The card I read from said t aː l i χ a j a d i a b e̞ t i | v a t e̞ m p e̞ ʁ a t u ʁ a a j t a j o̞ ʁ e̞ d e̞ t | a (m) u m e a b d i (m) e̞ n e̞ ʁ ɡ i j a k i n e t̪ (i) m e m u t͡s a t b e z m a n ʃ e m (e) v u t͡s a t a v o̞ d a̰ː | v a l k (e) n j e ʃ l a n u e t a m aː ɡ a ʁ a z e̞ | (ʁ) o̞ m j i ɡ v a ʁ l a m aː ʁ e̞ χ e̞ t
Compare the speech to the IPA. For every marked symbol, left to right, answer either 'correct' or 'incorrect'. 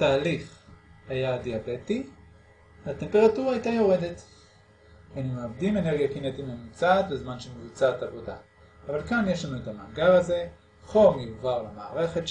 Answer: incorrect, correct, correct, correct, incorrect, incorrect

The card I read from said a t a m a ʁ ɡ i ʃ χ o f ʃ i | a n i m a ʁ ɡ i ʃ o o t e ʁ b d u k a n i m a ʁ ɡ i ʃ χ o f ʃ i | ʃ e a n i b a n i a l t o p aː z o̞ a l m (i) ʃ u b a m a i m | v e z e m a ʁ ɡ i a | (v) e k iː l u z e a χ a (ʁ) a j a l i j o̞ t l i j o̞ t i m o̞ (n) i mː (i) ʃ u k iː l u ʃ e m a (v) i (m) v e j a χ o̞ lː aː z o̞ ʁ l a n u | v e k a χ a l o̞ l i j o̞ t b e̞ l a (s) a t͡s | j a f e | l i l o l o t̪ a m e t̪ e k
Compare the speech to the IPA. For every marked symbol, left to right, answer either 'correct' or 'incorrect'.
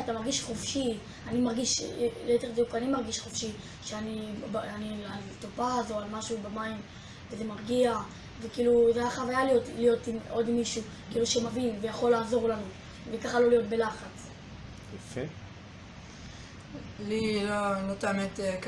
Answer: incorrect, correct, incorrect, incorrect, correct, correct, incorrect, incorrect

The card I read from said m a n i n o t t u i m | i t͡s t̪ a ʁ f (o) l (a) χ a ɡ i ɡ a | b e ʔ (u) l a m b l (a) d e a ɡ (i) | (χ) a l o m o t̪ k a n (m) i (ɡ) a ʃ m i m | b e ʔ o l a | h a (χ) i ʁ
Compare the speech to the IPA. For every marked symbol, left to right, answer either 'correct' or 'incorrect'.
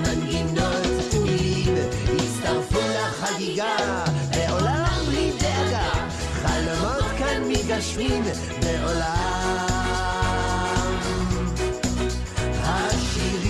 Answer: incorrect, correct, incorrect, incorrect, incorrect, correct, correct, correct, incorrect

